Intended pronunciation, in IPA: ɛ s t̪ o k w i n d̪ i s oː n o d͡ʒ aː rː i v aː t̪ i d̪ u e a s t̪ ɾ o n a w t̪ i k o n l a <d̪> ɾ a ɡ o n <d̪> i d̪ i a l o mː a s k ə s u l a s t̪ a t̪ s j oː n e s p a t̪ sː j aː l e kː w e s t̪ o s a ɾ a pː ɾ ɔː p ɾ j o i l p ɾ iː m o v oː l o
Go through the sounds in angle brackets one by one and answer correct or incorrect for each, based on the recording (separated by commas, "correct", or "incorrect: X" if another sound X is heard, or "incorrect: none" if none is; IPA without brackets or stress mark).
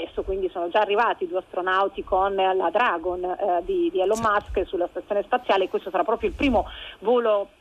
correct, correct